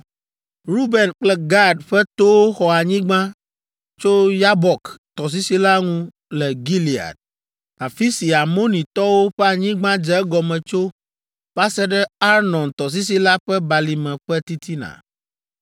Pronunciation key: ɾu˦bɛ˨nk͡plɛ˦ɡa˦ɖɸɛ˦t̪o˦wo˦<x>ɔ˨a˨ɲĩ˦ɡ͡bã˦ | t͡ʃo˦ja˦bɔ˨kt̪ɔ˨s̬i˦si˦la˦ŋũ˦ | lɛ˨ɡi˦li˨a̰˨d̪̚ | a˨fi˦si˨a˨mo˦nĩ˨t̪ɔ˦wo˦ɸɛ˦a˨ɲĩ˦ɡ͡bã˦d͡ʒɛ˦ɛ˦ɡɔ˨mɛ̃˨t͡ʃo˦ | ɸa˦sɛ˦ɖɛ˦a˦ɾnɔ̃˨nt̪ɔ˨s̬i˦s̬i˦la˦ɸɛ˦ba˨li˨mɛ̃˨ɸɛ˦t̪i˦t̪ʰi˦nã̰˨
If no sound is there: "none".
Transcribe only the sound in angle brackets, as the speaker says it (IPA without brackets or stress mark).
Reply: x